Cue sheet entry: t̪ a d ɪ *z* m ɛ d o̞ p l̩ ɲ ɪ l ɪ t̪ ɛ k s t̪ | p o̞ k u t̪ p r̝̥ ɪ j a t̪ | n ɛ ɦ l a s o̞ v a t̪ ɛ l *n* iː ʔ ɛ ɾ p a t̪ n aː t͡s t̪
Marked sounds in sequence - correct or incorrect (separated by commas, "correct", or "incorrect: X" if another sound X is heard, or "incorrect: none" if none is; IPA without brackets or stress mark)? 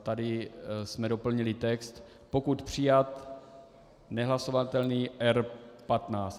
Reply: incorrect: s, correct